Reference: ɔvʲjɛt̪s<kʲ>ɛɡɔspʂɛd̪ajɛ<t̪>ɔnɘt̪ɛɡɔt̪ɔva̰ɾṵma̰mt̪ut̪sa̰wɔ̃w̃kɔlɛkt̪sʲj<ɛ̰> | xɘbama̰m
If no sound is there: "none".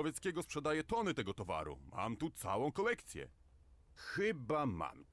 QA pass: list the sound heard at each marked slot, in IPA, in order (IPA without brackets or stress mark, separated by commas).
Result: kʲ, t̪, ɛ̰